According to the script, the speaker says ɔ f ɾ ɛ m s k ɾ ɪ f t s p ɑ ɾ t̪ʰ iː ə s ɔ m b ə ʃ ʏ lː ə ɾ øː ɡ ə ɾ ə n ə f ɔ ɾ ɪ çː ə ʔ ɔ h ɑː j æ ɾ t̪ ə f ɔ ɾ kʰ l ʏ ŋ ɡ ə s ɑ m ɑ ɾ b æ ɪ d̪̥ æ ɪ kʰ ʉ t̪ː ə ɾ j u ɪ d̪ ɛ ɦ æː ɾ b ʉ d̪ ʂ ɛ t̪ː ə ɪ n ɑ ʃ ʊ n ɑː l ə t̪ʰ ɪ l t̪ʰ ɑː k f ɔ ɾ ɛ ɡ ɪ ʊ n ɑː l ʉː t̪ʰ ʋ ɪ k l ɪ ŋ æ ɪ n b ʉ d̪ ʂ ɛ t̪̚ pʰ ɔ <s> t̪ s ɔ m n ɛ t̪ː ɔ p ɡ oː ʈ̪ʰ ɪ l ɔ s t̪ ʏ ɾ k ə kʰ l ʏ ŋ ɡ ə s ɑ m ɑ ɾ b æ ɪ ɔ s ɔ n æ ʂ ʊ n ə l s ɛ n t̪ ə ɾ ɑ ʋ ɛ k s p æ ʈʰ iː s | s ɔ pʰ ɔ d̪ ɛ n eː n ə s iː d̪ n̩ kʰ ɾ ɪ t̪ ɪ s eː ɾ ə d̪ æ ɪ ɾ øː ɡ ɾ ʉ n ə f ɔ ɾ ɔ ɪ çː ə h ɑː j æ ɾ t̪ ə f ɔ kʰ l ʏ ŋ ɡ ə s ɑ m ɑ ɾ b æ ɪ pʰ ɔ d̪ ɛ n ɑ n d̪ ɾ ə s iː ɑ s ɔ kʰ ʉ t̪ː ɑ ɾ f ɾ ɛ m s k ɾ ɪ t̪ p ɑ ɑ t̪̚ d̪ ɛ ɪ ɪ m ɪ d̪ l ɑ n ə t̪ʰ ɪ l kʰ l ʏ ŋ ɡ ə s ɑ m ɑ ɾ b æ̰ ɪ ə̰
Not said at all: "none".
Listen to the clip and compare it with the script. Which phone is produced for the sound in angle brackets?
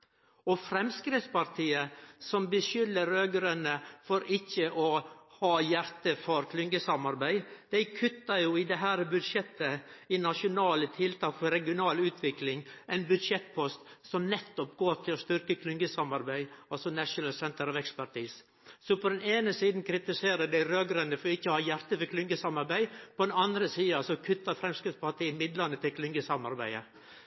s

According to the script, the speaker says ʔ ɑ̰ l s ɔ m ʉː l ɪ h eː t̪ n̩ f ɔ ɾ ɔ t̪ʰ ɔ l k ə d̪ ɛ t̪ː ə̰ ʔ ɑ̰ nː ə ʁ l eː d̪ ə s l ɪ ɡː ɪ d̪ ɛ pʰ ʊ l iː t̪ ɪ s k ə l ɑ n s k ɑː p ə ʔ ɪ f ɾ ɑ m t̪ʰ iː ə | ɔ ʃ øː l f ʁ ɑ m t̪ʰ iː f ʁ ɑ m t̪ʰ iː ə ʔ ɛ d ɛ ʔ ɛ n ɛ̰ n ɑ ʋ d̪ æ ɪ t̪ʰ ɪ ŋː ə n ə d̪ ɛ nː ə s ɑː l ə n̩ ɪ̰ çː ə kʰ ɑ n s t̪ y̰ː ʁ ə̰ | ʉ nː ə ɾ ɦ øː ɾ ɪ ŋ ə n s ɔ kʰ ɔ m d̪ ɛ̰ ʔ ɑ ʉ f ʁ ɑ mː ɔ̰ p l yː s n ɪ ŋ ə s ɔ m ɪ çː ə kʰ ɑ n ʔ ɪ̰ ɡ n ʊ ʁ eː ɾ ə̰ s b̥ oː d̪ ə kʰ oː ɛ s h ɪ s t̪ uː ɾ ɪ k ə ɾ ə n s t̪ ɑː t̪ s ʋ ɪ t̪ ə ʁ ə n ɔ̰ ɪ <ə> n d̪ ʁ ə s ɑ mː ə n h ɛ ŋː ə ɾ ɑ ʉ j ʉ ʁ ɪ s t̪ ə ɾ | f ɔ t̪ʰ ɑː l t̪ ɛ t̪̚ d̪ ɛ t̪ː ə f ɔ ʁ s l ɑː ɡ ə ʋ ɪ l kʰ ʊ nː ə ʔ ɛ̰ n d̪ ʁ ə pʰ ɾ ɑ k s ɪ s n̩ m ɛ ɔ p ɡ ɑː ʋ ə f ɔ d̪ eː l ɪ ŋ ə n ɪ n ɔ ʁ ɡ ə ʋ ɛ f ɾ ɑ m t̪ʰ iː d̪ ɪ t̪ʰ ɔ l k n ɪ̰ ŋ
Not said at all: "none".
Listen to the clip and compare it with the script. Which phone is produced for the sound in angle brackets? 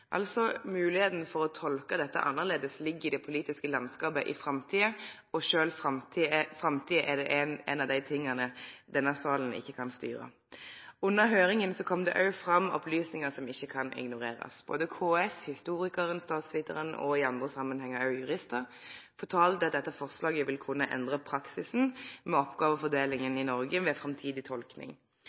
ɑ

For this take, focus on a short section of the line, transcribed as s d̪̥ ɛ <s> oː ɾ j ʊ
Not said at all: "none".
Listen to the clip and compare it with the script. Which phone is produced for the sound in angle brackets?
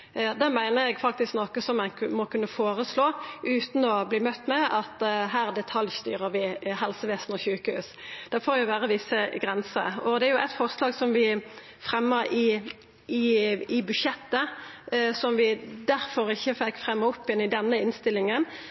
f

